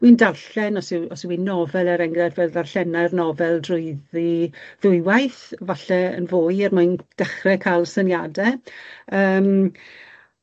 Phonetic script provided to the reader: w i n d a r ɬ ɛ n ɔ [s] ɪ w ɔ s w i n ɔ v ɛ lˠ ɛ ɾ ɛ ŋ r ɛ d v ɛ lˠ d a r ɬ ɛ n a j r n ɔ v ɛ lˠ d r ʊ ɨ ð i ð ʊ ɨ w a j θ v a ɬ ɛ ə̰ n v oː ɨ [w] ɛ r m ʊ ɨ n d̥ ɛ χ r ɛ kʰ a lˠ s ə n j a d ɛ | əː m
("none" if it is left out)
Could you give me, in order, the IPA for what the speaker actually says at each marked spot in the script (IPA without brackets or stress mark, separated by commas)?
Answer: s, none